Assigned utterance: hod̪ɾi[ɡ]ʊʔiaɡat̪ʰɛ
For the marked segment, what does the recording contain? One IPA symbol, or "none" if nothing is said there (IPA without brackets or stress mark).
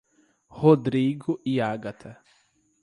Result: ɡ